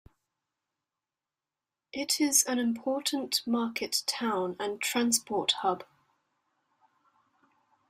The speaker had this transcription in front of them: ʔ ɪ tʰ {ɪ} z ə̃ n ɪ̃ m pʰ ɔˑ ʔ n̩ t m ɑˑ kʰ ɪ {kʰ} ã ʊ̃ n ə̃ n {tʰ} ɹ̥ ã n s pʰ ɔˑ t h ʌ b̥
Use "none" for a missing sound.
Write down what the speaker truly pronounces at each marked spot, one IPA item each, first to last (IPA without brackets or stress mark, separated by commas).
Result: ɪ, tʰ, tʰ